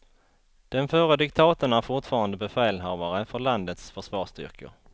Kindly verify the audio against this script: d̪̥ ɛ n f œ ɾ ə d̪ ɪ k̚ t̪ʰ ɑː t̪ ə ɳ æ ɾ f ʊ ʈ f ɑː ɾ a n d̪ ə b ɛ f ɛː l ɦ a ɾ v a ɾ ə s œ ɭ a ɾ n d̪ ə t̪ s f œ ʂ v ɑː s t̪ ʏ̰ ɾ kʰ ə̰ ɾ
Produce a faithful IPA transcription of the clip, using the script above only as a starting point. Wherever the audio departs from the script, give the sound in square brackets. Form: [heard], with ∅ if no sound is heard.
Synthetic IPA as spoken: d̪̥ ɛ n f œ ɾ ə d̪ ɪ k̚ t̪ʰ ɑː t̪ ə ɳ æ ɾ f ʊ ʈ f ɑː ɾ a n d̪ ə b ɛ f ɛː l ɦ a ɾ v a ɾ ə [f] œ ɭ a [∅] n d̪ ə t̪ s f œ ʂ v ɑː [ʂ] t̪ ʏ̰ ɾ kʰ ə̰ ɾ